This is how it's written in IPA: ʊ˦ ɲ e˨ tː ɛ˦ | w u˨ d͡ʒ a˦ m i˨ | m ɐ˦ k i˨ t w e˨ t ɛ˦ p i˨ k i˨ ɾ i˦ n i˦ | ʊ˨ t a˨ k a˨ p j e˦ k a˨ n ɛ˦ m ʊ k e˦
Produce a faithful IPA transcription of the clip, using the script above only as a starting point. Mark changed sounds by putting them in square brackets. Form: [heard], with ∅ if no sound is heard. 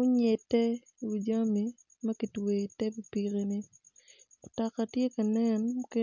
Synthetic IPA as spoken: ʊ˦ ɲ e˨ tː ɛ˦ | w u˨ d͡ʒ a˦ m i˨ | m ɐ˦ k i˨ t w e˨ t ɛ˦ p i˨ [p] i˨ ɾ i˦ n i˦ | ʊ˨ t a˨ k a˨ [t] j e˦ k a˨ n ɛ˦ [n] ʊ k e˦